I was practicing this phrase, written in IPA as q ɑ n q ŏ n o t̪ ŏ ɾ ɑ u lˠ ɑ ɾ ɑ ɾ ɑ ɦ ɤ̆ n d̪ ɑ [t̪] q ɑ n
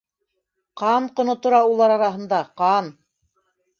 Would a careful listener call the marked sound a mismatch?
yes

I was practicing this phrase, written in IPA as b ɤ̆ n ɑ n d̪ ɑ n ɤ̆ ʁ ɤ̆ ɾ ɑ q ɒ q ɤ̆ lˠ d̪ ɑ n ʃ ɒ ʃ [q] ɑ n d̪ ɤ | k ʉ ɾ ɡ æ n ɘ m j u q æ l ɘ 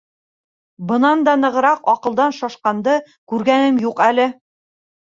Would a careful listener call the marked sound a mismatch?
no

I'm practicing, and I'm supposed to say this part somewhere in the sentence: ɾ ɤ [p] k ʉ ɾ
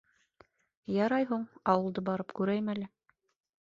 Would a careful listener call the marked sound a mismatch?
no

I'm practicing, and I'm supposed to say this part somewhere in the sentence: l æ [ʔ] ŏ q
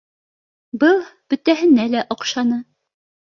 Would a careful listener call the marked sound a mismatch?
no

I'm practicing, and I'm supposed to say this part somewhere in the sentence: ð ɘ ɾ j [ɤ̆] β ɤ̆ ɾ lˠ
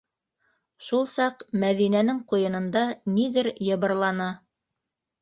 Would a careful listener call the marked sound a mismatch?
no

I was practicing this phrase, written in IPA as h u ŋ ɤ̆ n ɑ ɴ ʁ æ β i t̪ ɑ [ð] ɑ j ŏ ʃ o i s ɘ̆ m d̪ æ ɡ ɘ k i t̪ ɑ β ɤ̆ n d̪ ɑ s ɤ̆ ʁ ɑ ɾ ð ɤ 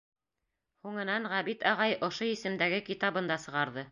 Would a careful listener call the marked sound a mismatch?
yes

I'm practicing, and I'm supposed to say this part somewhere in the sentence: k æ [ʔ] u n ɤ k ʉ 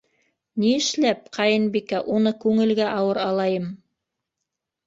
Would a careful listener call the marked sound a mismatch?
no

